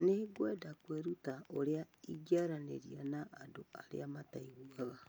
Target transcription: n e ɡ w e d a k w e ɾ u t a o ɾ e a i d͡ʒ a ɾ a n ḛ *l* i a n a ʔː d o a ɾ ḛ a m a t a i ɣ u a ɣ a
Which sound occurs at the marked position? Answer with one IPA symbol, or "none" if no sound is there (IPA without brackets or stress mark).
ɾ